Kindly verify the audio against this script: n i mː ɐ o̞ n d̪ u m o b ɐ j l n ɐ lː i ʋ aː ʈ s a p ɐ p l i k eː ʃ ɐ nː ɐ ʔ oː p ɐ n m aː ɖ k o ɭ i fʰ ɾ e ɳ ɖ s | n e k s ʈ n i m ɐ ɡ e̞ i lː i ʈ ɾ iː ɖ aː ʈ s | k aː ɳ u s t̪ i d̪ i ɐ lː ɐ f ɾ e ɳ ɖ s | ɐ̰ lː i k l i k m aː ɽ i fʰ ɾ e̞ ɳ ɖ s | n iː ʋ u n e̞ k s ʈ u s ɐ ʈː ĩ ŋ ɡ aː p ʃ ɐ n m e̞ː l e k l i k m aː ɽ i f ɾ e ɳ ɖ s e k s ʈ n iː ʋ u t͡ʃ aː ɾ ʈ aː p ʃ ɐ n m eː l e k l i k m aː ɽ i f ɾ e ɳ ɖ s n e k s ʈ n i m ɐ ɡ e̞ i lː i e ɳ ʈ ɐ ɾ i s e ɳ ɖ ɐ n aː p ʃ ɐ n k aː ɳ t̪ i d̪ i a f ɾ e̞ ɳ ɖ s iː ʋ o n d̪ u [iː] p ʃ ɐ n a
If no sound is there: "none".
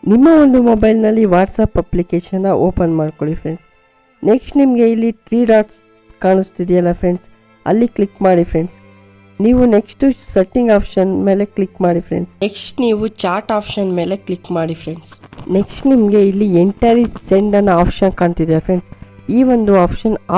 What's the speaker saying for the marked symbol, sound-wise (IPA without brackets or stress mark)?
aː